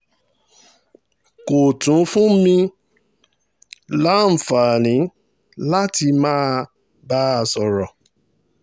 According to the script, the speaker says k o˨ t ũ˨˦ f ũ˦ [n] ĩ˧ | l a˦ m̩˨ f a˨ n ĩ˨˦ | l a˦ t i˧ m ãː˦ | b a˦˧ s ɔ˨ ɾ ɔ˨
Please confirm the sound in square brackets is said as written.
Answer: no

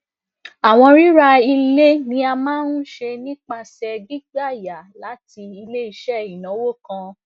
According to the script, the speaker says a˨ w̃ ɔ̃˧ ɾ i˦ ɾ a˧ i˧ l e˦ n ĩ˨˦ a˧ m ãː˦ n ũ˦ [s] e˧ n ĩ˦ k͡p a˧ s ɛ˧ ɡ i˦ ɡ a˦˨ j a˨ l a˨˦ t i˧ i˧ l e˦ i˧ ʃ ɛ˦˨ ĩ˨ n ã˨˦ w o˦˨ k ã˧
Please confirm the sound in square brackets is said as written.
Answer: no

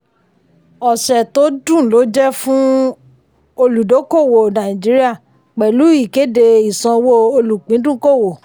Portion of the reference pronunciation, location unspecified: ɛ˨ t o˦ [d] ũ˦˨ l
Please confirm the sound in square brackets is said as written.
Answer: yes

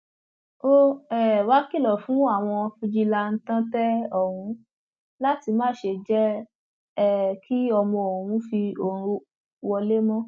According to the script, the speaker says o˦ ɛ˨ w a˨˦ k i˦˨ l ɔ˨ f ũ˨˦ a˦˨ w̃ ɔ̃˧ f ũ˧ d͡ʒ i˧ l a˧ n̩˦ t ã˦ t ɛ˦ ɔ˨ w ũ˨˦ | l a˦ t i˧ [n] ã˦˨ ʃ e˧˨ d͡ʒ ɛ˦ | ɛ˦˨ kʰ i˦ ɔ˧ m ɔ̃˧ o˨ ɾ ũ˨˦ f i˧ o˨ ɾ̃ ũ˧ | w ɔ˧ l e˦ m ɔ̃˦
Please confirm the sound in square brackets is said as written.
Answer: no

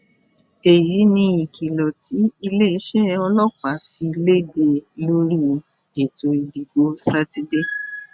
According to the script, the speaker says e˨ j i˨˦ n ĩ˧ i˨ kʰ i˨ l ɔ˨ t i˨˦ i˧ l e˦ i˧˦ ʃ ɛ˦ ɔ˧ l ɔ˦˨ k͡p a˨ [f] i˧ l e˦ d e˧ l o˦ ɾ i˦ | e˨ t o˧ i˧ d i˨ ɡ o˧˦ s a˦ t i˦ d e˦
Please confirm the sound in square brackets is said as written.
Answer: yes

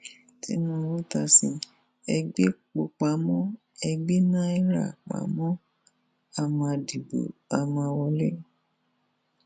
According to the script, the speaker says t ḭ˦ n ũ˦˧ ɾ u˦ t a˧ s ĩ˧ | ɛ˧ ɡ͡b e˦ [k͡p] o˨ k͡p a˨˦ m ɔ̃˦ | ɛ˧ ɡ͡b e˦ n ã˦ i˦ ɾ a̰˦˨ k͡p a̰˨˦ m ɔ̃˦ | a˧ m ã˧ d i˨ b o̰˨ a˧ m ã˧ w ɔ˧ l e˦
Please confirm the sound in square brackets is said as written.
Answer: yes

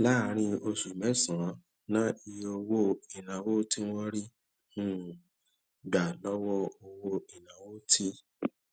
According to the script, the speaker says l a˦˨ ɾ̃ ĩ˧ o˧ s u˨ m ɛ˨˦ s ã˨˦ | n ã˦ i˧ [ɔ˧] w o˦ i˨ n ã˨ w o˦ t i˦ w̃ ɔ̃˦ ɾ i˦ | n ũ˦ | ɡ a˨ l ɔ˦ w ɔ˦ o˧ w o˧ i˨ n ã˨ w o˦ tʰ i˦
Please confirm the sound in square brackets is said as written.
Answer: no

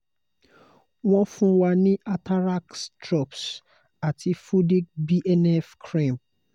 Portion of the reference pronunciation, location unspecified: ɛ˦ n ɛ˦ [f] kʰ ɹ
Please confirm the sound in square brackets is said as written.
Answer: yes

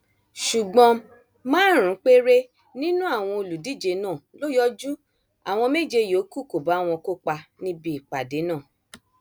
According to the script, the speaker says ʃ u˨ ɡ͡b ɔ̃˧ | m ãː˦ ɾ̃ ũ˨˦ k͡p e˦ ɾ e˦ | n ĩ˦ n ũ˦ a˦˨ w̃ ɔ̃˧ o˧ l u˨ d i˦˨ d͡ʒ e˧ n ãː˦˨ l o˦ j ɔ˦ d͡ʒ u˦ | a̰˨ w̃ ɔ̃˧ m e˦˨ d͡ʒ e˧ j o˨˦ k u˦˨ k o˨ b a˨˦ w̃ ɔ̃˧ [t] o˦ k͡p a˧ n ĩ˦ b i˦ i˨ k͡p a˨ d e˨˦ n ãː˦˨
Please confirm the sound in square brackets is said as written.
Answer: no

